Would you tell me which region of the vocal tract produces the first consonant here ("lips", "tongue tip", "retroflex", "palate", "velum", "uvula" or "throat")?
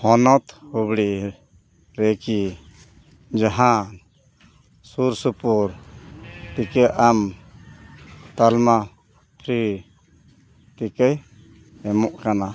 throat